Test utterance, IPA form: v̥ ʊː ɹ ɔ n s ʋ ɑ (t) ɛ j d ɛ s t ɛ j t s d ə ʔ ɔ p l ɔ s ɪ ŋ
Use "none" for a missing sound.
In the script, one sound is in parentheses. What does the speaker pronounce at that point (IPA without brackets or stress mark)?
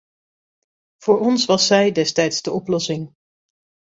s